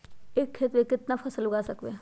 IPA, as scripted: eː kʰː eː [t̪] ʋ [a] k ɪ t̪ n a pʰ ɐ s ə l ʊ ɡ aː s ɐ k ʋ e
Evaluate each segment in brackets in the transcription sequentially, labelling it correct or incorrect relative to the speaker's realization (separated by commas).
correct, incorrect